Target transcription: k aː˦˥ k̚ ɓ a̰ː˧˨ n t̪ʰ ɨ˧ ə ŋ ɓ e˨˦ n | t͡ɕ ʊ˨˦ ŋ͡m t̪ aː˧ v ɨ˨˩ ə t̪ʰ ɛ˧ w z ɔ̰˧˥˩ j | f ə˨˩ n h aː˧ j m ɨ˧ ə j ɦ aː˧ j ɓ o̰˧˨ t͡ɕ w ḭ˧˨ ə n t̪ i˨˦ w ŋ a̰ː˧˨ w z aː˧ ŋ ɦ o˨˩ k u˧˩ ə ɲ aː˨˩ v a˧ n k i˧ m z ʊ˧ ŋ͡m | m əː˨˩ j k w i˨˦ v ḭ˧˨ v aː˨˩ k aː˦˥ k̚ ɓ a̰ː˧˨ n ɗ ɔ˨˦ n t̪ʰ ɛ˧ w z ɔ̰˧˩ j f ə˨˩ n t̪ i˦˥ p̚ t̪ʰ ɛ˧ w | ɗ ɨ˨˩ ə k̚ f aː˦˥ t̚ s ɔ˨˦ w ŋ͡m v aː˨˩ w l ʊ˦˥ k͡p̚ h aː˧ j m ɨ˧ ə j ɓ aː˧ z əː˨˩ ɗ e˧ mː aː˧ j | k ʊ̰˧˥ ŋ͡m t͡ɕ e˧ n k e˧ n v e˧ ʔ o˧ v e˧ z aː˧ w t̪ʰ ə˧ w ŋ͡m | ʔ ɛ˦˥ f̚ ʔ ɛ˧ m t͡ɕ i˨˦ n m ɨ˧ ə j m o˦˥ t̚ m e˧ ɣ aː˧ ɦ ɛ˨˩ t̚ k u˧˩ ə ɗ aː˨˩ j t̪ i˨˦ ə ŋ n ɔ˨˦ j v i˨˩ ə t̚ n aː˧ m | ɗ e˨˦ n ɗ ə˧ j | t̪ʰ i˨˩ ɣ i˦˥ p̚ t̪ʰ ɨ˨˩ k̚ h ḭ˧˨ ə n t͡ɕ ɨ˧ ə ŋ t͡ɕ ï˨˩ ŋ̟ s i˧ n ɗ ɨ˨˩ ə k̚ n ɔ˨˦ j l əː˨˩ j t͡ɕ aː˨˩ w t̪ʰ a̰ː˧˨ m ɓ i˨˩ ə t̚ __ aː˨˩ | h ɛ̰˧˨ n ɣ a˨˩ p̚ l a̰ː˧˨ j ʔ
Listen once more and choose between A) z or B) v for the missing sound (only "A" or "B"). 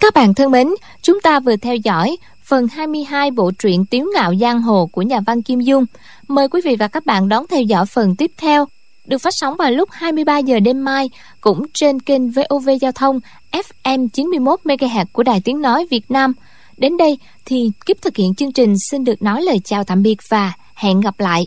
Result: B